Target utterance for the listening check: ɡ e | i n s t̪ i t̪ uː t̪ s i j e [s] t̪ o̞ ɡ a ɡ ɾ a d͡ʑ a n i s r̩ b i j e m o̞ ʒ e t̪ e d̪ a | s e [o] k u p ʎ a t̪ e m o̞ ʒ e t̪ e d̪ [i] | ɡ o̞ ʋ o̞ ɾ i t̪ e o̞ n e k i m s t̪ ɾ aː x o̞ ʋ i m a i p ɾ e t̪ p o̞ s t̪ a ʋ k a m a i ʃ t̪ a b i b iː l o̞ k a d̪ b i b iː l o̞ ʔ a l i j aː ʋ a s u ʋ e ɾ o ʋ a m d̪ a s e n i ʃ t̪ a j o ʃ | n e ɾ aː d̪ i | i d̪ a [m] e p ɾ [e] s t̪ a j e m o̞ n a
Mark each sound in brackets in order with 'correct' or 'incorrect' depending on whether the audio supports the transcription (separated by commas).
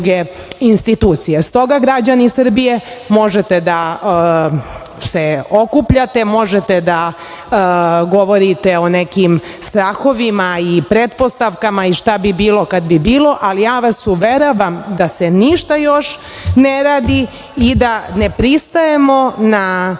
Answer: correct, correct, incorrect, incorrect, incorrect